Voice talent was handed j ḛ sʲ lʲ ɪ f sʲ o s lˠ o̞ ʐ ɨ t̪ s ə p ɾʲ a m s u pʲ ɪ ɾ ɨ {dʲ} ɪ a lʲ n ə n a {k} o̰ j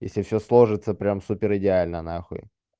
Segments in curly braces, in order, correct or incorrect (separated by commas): correct, incorrect